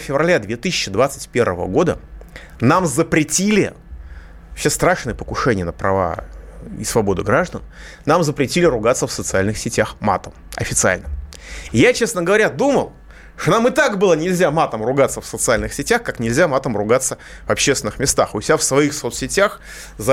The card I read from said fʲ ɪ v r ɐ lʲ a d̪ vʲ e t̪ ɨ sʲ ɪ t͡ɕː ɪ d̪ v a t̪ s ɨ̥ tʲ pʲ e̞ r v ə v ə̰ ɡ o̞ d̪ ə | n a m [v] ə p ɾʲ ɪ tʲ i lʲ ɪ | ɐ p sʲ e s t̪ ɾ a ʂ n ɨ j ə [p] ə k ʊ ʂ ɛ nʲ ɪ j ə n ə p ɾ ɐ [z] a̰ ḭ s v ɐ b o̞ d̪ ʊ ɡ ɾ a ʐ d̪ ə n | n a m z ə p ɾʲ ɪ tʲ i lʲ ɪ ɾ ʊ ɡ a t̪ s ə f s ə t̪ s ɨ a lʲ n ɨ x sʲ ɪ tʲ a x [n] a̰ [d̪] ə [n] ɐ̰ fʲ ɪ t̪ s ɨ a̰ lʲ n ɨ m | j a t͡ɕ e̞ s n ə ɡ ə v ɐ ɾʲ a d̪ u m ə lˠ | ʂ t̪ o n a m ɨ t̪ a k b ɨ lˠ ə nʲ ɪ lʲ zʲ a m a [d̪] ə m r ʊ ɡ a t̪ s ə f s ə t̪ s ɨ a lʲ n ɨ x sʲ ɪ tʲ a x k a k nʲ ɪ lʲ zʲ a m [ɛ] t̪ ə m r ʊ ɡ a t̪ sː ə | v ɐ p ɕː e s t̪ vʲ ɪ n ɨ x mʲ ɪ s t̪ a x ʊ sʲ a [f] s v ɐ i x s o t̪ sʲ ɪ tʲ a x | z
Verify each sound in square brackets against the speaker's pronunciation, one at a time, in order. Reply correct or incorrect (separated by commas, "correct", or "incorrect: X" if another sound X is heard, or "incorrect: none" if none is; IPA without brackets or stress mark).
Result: incorrect: z, correct, incorrect: v, incorrect: m, incorrect: t̪, incorrect: m, incorrect: t̪, incorrect: a, correct